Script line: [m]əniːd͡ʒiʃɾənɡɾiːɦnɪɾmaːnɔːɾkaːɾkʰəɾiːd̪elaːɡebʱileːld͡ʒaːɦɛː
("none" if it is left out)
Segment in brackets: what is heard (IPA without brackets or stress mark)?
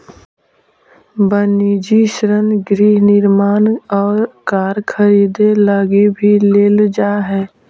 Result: b